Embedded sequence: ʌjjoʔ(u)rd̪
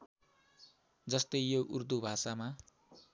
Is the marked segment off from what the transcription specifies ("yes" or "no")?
no